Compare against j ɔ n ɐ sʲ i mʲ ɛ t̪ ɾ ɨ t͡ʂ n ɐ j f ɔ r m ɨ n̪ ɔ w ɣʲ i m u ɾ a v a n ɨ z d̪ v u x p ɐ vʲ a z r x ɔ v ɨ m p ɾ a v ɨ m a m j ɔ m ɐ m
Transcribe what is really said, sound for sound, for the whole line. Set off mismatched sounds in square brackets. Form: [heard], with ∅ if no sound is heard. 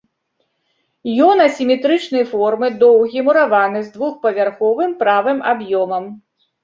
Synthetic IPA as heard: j ɔ n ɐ sʲ i mʲ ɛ t̪ ɾ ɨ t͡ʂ n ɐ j f ɔ r m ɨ [d̪] ɔ w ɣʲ i m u ɾ a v a n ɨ z d̪ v u x p ɐ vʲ a [∅] r x ɔ v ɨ m p ɾ a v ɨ m a [b] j ɔ m ɐ m